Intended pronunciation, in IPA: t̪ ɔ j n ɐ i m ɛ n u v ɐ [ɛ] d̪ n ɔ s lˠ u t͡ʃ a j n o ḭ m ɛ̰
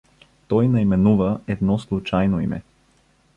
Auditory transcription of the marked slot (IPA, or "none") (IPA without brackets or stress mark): ɛ